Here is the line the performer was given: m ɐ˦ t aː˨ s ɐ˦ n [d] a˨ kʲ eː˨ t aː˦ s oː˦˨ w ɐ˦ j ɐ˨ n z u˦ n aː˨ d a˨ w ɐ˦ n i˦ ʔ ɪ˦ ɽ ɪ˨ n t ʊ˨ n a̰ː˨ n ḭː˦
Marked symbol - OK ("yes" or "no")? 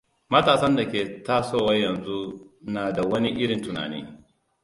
yes